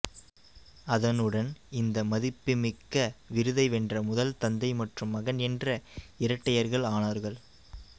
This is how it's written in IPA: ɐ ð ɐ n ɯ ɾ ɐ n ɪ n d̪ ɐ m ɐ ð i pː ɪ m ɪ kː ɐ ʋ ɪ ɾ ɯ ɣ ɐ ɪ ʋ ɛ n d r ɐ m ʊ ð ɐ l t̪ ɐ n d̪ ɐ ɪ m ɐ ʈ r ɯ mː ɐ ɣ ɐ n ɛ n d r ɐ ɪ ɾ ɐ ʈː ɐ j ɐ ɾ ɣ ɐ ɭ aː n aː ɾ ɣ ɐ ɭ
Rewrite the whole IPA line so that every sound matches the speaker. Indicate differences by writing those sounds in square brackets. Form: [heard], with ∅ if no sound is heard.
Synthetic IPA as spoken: ɐ ð ɐ n ɯ [ɽ] ɐ n ɪ n d̪ ɐ m ɐ ð [ɪ] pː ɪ m ɪ kː ɐ ʋ ɪ ɾ ɯ [ð] ɐ ɪ ʋ ɛ n d r ɐ m ʊ ð ɐ l t̪ ɐ n d̪ ɐ ɪ m ɐ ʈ r ɯ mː ɐ ɣ ɐ n ɛ n d r ɐ ɪ ɾ ɐ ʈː ɐ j ɐ ɾ ɣ ɐ ɭ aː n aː ɾ ɣ ɐ ɭ

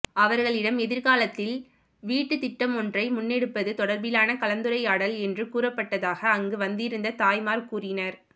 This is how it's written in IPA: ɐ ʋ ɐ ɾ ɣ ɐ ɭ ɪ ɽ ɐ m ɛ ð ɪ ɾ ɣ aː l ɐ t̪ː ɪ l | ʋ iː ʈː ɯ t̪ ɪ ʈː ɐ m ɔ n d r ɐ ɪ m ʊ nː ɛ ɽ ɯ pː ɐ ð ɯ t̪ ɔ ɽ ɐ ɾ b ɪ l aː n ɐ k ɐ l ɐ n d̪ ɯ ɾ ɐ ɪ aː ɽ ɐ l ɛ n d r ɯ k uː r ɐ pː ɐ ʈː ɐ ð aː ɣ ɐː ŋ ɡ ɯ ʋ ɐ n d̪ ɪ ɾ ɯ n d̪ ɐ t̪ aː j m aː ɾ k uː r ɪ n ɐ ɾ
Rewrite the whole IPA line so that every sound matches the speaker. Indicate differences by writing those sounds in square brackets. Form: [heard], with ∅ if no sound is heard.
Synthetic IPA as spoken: ɐ ʋ ɐ ɾ ɣ ɐ ɭ ɪ ɽ ɐ m ɛ ð ɪ ɾ ɣ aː l ɐ t̪ː ɪ l | ʋ iː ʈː ɯ t̪ ɪ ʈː ɐ m ɔ n d r ɐ ɪ m ʊ nː ɛ ɽ ɯ pː ɐ ð ɯ t̪ ɔ ɽ ɐ ɾ b ɪ l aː n ɐ k ɐ l ɐ n d̪ ɯ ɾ ɐ ɪ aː ɽ ɐ l ɛ n d r ɯ k uː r ɐ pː ɐ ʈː ɐ ð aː ɣ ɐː ŋ ɡ ɯ ʋ ɐ n d̪ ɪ ɾ ɯ n d̪ ɐ t̪ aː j m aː ɾ k uː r ɪ n ɐ ɾ

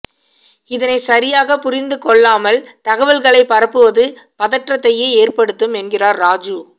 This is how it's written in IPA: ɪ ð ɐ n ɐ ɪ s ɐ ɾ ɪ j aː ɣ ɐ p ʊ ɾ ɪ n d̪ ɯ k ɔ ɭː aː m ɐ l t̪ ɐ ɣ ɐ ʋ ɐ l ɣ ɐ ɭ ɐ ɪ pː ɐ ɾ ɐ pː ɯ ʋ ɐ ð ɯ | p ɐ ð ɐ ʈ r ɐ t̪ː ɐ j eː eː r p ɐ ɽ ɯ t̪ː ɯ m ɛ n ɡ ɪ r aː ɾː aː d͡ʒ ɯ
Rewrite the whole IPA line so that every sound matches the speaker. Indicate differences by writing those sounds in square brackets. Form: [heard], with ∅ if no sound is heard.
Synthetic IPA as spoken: ɪ ð ɐ n ɐ ɪ s ɐ ɾ ɪ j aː ɣ ɐ p ʊ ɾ ɪ n d̪ ɯ k ɔ ɭː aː m ɐ l t̪ ɐ ɣ ɐ ʋ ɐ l ɣ ɐ ɭ ɐ ɪ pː ɐ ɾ ɐ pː ɯ ʋ ɐ ð ɯ | p ɐ ð ɐ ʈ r ɐ t̪ː ɐ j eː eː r p ɐ ɽ ɯ t̪ː ɯ m ɛ n ɡ ɪ r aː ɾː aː d͡ʒ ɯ

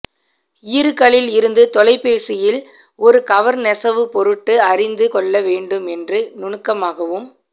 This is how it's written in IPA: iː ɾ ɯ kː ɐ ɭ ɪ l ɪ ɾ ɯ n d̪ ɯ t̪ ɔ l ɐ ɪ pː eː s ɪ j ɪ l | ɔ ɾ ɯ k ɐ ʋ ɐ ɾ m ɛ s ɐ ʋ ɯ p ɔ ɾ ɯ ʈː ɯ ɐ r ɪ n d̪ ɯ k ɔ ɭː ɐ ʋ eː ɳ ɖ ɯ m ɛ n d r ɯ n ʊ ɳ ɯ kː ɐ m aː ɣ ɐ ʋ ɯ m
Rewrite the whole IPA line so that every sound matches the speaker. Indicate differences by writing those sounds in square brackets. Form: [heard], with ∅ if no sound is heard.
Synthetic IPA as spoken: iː ɾ ɯ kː ɐ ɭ ɪ l ɪ ɾ ɯ n d̪ ɯ t̪ ɔ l ɐ ɪ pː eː s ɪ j ɪ l | ɔ ɾ ɯ k ɐ ʋ ɐ ɾ [n] ɛ s ɐ ʋ ɯ p ɔ ɾ ɯ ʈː ɯ ɐ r ɪ n d̪ ɯ k ɔ ɭː ɐ ʋ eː ɳ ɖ ɯ m ɛ n d r ɯ n ʊ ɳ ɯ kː ɐ m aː ɣ ɐ ʋ ɯ m

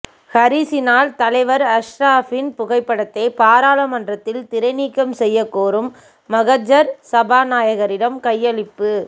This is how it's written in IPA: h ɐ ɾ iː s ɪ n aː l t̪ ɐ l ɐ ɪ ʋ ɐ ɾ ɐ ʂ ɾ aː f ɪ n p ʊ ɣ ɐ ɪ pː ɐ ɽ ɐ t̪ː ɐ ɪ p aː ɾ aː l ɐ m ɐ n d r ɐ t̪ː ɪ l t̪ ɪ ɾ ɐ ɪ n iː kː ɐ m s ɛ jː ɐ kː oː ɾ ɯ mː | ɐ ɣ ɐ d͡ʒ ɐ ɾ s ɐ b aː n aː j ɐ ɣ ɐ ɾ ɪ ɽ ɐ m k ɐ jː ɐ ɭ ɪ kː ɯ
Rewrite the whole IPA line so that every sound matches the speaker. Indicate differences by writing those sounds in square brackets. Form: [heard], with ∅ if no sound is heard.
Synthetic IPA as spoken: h ɐ ɾ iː s ɪ n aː l t̪ ɐ l ɐ ɪ ʋ ɐ ɾ ɐ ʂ ɾ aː f ɪ n p ʊ ɣ ɐ ɪ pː ɐ ɽ ɐ t̪ː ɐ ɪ p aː ɾ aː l ɐ m ɐ n d r ɐ t̪ː ɪ l t̪ ɪ ɾ ɐ ɪ n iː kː ɐ m s ɛ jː ɐ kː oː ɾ ɯ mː | ɐ ɣ ɐ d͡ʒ ɐ ɾ s ɐ b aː n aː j ɐ ɣ ɐ ɾ ɪ ɽ ɐ m k ɐ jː ɐ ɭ ɪ [pː] ɯ

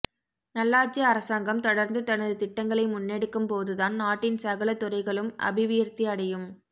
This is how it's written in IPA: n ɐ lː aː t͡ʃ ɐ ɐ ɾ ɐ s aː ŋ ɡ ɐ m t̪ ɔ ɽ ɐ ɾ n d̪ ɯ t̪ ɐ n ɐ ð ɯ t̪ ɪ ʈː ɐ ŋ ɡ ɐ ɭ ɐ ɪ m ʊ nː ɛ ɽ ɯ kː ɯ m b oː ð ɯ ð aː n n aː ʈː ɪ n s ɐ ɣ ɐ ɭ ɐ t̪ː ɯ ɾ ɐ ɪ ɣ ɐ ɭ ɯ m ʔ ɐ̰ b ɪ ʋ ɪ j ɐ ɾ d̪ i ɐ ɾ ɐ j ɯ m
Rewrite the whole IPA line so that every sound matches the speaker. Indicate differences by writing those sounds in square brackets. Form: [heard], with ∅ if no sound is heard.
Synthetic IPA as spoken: n ɐ lː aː t͡ʃ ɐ ɐ ɾ ɐ s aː ŋ ɡ ɐ m t̪ ɔ ɽ ɐ ɾ n d̪ ɯ t̪ ɐ n ɐ ð ɯ t̪ ɪ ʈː ɐ ŋ ɡ ɐ ɭ ɐ ɪ m ʊ nː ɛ ɽ ɯ kː ɯ m [p] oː ð ɯ ð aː n n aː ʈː ɪ n s ɐ ɣ ɐ ɭ ɐ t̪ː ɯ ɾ ɐ ɪ ɣ ɐ ɭ ɯ m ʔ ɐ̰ b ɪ ʋ ɪ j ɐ ɾ [t̪] i ɐ [ɽ] ɐ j ɯ m

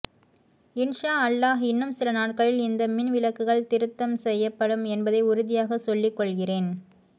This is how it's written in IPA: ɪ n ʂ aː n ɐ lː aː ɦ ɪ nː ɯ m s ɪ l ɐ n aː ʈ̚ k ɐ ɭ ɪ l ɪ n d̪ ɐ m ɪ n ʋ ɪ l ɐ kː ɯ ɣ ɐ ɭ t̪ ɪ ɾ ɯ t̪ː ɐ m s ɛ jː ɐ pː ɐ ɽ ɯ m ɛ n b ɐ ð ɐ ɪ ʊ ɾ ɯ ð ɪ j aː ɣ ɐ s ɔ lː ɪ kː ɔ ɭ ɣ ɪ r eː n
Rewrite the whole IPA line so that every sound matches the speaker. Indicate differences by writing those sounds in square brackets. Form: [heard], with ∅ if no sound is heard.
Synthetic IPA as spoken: ɪ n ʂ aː [∅] ɐ lː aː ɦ ɪ nː ɯ m s ɪ l ɐ n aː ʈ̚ k ɐ ɭ ɪ l ɪ n d̪ ɐ m ɪ n ʋ ɪ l ɐ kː ɯ ɣ ɐ ɭ t̪ ɪ ɾ ɯ t̪ː ɐ m s ɛ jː ɐ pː ɐ ɽ ɯ m ɛ n b ɐ ð ɐ ɪ ʊ ɾ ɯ ð ɪ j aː ɣ ɐ s ɔ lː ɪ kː ɔ ɭ ɣ ɪ r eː n

